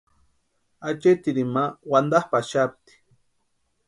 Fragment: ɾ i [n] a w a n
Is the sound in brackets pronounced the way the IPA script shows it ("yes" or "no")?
no